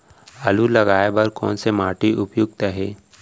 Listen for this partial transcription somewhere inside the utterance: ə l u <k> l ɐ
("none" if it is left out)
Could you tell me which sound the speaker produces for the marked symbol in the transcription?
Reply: none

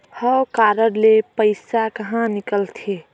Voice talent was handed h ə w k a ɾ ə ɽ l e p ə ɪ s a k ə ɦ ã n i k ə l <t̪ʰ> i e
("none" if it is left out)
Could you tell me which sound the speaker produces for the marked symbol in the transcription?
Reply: t̪ʰ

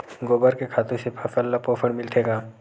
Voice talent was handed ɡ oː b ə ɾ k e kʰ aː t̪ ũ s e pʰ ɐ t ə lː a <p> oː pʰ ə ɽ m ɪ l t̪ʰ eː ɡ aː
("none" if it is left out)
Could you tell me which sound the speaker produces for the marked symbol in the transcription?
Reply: p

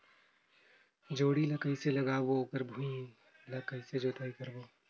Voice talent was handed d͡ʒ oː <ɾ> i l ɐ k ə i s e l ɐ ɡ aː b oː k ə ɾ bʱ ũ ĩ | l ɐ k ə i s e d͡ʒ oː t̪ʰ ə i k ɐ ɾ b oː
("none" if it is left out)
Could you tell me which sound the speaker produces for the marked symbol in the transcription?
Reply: ɽ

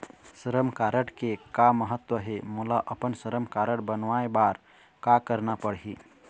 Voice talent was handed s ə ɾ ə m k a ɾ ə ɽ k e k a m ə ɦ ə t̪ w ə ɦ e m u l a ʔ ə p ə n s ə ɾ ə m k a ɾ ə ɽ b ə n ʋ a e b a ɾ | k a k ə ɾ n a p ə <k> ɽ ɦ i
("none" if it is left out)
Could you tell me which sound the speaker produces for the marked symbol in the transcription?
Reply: none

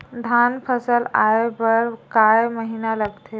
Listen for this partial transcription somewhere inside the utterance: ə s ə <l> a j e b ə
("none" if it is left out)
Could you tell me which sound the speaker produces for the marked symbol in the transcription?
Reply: l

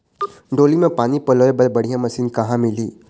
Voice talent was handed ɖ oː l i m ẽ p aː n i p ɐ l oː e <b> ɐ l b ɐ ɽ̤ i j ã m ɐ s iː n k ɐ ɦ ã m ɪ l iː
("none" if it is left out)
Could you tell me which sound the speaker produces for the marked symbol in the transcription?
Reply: b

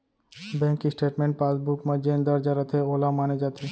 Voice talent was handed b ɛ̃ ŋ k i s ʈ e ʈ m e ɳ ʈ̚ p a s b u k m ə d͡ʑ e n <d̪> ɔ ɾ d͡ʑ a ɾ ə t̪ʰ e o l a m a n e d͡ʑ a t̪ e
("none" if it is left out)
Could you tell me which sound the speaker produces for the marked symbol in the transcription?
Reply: d̪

